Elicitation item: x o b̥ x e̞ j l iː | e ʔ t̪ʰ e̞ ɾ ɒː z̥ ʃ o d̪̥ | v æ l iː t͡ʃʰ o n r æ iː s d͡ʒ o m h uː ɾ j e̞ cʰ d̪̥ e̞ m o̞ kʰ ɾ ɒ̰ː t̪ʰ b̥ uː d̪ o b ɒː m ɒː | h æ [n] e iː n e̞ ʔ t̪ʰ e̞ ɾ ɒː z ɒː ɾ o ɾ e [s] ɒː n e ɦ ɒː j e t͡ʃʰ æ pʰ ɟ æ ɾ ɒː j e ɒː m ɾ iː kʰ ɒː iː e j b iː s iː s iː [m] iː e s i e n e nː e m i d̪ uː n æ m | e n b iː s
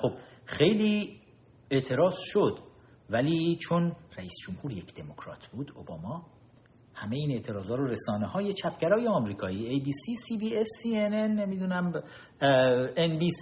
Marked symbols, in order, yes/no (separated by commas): no, yes, no